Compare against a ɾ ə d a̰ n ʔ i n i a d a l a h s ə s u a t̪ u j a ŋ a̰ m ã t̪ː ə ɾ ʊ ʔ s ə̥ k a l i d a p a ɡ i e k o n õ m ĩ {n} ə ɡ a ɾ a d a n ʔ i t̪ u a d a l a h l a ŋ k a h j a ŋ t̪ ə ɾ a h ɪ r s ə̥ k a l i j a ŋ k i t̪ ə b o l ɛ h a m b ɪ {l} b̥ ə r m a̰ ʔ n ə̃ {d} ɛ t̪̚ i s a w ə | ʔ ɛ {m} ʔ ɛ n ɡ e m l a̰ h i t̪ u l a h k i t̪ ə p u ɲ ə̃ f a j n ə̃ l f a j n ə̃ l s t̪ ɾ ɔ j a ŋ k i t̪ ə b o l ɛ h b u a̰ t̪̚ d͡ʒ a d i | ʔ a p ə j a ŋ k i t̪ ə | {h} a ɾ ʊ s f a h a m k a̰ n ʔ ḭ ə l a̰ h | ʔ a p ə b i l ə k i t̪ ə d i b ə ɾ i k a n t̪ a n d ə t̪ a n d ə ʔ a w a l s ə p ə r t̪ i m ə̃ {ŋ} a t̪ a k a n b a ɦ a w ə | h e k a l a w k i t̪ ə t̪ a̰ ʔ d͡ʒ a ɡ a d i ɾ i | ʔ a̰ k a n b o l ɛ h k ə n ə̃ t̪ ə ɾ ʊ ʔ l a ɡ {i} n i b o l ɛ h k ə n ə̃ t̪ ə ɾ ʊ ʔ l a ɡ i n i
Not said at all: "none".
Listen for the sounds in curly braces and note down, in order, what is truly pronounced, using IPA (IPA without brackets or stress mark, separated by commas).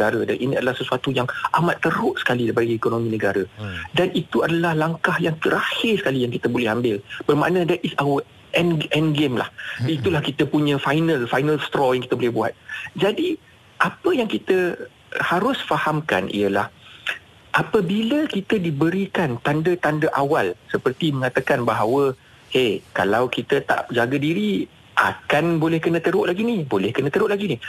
n, l, d, n, h, ŋ, i